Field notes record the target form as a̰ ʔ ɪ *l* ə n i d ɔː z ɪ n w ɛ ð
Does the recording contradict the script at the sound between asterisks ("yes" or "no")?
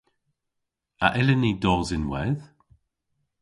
no